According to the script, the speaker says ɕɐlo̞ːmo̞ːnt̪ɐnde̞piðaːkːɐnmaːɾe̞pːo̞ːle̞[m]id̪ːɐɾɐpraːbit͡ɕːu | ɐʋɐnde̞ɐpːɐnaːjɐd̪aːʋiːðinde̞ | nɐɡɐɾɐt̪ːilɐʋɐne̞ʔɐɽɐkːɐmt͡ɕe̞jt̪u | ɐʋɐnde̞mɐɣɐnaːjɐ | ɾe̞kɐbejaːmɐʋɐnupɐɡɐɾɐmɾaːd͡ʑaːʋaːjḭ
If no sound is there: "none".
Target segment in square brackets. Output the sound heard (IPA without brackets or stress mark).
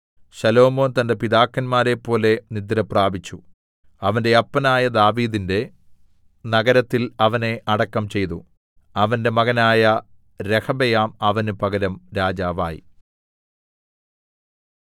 n